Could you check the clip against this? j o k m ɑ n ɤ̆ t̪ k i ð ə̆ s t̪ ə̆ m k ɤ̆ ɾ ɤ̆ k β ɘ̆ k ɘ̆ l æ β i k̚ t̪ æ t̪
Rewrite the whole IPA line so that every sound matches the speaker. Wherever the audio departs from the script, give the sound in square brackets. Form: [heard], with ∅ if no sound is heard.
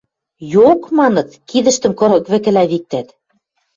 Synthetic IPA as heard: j o k m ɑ n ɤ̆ t̪ k i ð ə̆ [ʃ] t̪ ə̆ m k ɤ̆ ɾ ɤ̆ k β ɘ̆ k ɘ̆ l æ β i k̚ t̪ æ t̪